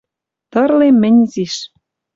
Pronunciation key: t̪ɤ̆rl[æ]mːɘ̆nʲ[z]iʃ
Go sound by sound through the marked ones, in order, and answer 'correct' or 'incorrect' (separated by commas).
incorrect, correct